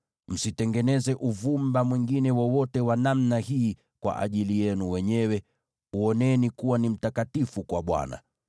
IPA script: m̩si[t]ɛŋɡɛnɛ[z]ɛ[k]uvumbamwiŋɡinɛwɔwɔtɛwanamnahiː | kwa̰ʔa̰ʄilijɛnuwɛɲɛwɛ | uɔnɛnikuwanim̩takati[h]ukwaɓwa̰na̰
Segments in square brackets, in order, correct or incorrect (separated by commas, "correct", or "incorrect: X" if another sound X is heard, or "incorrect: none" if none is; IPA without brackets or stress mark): correct, correct, incorrect: ʔ, incorrect: f